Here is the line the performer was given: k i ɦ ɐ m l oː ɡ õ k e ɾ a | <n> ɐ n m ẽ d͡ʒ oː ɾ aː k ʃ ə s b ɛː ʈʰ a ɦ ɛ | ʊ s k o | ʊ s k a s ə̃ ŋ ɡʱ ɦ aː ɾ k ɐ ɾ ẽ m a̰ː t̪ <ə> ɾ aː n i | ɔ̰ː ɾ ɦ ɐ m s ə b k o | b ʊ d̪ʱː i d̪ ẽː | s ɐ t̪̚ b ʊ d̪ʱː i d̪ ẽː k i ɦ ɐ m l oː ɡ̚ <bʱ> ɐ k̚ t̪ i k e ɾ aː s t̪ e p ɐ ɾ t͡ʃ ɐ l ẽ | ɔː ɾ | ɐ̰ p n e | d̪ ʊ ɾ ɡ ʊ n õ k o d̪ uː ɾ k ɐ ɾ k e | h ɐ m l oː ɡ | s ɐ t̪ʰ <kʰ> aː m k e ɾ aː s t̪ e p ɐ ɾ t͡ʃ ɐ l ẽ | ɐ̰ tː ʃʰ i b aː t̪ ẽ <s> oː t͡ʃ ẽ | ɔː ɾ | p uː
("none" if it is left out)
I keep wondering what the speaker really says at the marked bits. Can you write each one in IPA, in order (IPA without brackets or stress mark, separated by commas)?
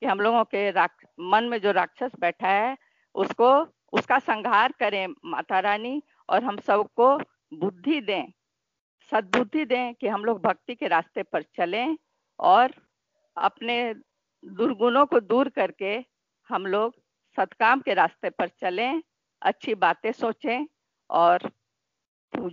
m, a, bʱ, k, s